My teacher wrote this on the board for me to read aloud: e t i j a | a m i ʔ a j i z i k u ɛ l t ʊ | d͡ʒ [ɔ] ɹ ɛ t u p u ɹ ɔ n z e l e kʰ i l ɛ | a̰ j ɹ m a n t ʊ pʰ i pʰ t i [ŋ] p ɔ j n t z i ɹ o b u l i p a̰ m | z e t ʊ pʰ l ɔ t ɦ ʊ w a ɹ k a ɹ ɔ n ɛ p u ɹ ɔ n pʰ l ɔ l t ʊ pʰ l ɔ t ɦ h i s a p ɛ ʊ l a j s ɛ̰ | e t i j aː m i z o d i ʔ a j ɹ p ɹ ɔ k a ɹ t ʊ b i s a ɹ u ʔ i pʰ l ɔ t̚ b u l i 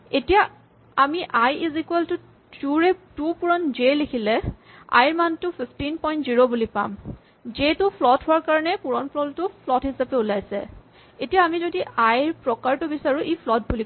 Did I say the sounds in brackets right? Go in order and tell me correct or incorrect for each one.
incorrect: u, incorrect: n

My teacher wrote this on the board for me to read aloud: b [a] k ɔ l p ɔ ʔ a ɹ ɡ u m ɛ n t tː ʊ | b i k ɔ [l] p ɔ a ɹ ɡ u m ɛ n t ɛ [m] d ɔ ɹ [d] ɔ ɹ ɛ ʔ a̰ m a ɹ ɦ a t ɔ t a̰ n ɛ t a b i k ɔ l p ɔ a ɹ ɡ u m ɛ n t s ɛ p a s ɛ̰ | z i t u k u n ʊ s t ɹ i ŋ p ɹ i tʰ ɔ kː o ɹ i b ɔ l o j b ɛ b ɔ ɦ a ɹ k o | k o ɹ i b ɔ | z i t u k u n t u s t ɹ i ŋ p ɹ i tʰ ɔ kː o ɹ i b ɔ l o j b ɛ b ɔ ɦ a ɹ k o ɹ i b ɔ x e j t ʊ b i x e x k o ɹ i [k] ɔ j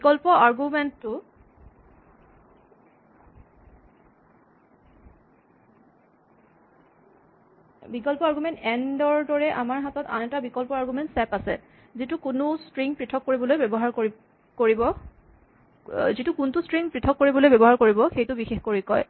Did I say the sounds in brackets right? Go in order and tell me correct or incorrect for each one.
incorrect: i, correct, incorrect: n, correct, correct

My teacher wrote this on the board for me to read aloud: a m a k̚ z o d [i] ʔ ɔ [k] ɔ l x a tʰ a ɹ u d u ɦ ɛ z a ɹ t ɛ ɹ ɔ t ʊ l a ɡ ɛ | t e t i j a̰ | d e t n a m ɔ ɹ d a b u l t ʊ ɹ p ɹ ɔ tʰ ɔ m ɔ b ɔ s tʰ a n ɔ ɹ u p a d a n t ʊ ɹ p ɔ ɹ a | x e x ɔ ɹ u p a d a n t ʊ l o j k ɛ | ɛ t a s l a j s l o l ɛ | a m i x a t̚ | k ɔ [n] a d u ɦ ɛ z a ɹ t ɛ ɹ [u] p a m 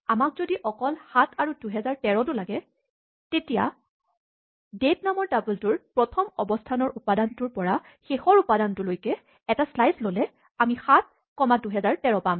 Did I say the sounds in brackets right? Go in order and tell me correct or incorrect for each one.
correct, correct, incorrect: m, incorrect: ɔ

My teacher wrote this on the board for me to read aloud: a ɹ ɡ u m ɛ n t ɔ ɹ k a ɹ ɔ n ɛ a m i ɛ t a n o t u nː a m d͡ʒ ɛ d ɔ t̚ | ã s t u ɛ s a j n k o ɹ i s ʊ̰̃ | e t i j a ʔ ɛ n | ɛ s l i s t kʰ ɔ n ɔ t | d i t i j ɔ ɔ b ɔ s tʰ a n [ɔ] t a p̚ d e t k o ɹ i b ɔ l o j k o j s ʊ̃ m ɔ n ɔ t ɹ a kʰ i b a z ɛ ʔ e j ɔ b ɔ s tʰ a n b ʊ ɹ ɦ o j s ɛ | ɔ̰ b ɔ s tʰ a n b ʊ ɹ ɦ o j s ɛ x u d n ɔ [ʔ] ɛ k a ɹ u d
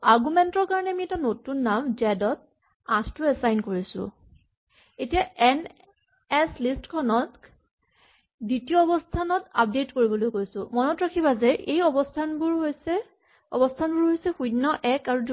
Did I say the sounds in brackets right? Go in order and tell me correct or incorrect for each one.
correct, correct

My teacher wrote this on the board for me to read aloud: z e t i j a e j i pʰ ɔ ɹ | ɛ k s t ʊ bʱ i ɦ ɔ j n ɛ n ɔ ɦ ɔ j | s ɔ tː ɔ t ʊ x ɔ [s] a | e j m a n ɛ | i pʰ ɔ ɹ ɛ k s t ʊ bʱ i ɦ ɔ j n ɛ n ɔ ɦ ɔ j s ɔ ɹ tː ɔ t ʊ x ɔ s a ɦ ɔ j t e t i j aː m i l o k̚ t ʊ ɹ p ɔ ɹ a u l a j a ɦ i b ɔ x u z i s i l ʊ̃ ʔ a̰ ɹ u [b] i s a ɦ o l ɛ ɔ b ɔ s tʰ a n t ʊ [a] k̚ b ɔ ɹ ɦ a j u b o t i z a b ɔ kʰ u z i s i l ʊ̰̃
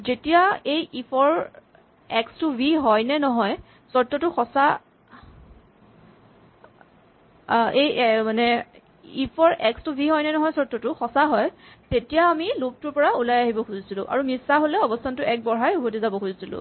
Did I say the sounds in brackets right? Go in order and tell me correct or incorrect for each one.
correct, incorrect: m, incorrect: ɛ

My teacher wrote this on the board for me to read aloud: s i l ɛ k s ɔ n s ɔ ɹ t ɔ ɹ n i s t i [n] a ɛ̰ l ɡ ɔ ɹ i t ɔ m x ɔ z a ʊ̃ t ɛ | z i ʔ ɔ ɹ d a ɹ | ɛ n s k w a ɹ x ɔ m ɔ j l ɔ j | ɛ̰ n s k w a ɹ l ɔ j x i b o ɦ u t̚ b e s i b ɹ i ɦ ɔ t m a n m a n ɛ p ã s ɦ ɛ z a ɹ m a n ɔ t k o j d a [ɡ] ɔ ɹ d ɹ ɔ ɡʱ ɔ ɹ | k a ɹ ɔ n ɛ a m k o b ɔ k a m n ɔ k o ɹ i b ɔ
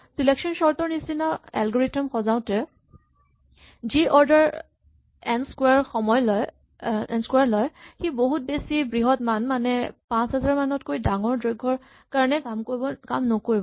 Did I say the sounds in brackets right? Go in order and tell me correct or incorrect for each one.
correct, incorrect: ŋ

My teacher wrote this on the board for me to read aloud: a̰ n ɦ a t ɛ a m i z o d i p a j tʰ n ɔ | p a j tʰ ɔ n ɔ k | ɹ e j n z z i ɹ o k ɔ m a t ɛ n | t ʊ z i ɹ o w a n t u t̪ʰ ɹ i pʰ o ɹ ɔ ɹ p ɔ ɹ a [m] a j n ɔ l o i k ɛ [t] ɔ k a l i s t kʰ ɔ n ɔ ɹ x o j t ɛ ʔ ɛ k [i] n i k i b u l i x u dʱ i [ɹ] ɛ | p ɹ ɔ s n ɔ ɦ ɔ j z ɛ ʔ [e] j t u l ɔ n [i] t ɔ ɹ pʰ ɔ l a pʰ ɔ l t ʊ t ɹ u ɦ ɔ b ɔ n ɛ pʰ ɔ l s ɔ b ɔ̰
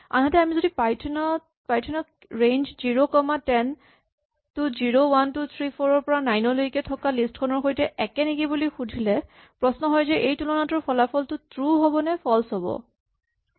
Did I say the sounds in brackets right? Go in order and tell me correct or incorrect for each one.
incorrect: n, incorrect: tʰ, incorrect: ɛ, incorrect: l, correct, incorrect: a

